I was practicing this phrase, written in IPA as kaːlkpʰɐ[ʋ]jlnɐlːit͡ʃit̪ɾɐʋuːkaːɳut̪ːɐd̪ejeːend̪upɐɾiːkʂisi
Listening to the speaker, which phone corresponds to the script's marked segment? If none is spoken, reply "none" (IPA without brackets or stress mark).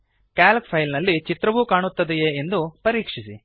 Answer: none